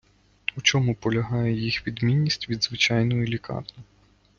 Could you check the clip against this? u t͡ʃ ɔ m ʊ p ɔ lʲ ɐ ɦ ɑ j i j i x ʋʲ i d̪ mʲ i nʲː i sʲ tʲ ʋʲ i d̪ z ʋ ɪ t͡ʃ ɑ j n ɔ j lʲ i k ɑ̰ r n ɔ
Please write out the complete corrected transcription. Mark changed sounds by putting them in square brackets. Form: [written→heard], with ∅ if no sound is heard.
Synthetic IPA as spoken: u t͡ʃ ɔ m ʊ p ɔ lʲ ɐ ɦ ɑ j [i→ɛ] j i x ʋʲ i d̪ mʲ i nʲː i sʲ tʲ ʋʲ i d̪ z ʋ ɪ t͡ʃ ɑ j n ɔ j lʲ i k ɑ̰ r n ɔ